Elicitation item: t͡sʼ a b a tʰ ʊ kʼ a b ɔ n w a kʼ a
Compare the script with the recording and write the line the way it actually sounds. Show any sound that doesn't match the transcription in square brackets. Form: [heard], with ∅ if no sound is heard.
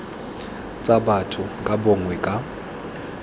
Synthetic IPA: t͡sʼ a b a tʰ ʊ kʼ a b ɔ [ŋ] w [ɛ] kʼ a

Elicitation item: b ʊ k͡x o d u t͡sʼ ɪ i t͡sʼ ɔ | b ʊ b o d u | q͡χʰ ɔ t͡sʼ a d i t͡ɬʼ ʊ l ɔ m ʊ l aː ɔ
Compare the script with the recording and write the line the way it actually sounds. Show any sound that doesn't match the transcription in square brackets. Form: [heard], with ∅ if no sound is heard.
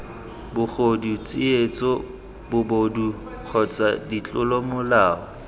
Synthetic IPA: b ʊ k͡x o d u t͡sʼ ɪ [e] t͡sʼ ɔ | b ʊ b o d u | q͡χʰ ɔ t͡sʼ a d i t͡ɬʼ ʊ l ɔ m ʊ l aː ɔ

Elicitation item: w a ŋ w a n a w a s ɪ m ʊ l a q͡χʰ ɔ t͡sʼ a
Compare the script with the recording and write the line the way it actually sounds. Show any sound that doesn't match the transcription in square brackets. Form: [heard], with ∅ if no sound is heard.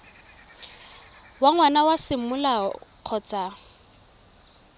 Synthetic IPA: w a ŋ w a n a w a s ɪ m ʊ l a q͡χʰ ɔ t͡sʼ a

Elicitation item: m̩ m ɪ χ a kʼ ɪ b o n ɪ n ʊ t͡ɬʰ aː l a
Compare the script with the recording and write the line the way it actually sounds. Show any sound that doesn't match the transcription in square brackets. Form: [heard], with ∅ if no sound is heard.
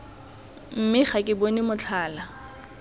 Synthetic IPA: m̩ m ɪ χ a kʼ ɪ b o n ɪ [m] ʊ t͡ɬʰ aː l a

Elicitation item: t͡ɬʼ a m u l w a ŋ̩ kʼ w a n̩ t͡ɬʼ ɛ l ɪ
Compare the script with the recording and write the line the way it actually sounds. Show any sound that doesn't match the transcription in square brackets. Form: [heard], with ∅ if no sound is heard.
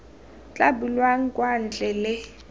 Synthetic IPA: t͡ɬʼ a [b] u l w a ŋ̩ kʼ w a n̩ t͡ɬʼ ɛ l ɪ

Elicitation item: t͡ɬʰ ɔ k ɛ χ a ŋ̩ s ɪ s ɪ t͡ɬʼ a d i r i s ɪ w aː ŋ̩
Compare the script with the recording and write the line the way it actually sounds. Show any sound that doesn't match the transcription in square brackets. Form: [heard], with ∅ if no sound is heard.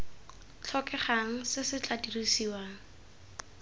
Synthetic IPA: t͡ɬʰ ɔ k ɛ χ a ŋ̩ s ɪ s ɪ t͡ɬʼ a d i r i s [i] w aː ŋ̩

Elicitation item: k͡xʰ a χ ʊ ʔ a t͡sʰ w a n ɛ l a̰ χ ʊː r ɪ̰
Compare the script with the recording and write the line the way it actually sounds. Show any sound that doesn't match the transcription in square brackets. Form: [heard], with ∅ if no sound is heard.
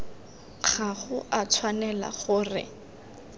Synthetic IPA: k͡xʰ a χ ʊ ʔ a t͡sʰ w a n ɛ l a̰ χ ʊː r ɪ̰

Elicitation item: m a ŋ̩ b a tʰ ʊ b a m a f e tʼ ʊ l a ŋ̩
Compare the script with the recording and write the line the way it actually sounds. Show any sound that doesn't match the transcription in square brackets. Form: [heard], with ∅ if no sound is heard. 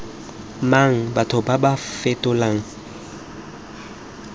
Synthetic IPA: m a ŋ̩ b a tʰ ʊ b a [b] a f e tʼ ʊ l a ŋ̩

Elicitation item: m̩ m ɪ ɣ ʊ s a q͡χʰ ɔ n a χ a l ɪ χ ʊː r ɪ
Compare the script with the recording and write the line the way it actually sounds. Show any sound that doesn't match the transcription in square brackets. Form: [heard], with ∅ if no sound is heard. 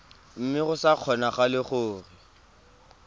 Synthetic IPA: m̩ m ɪ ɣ ʊ s a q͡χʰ ɔ n a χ a l ɪ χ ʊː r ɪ

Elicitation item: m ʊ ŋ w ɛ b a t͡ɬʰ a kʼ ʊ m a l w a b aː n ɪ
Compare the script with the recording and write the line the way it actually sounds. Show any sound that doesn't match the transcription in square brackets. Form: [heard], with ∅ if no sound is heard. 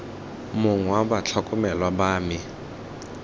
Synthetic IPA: m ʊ ŋ w [a] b a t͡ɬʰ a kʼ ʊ m [ɛ] l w a b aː [m] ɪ

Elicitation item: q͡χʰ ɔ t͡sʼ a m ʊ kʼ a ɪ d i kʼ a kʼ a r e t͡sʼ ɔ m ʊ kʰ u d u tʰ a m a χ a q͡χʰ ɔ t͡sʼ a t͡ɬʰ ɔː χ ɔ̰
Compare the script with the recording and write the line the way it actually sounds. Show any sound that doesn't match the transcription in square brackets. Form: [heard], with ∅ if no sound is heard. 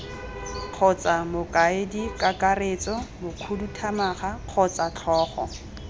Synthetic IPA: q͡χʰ ɔ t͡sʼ a m ʊ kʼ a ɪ d i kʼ a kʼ a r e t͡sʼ ɔ m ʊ kʰ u d u tʰ a m a χ a q͡χʰ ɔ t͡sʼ a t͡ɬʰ ɔː χ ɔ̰

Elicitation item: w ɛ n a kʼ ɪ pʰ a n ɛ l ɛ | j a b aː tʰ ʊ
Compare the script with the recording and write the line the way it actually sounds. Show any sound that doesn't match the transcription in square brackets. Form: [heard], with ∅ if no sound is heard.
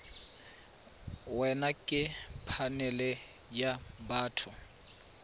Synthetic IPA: w ɛ n a kʼ ɪ pʰ a n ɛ l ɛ | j a b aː tʰ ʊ

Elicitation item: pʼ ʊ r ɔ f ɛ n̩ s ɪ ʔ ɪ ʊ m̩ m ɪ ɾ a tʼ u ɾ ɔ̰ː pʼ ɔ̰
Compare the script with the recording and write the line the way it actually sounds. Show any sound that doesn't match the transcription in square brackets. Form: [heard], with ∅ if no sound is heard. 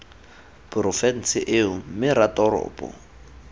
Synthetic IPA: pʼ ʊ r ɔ f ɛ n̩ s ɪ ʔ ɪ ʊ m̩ m ɪ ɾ a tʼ [ɔ] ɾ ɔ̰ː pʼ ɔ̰

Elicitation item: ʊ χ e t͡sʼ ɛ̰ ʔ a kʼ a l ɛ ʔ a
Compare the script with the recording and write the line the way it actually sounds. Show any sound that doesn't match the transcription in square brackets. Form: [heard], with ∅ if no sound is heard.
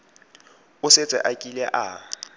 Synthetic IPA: ʊ [s] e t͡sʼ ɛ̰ ʔ a kʼ [i] l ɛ ʔ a

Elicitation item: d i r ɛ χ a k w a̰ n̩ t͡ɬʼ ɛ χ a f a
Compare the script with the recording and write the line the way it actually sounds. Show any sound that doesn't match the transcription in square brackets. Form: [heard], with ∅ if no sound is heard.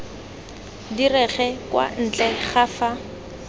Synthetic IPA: d i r ɛ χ [ɛ] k w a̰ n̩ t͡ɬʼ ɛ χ a f a

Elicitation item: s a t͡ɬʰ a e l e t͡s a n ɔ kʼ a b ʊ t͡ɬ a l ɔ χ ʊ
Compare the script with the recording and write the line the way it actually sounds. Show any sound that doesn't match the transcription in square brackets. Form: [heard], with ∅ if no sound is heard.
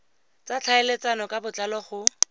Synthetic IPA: [t͡s] a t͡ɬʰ a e l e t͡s a n ɔ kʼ a b ʊ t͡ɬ a l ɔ χ ʊ

